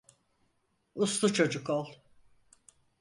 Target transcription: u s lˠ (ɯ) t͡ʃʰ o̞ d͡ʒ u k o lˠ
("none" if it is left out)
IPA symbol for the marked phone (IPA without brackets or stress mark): u